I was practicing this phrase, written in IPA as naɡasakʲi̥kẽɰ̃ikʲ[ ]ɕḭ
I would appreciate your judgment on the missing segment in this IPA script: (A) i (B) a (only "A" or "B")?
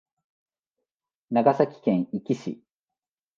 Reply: A